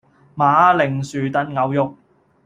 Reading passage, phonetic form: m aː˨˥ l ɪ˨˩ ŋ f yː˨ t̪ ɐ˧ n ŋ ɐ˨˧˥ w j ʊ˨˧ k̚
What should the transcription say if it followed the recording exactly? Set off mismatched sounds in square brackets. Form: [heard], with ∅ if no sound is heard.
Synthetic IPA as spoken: m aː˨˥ l ɪ˨˩ ŋ [s] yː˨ t̪ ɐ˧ n ŋ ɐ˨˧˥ w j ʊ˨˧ k̚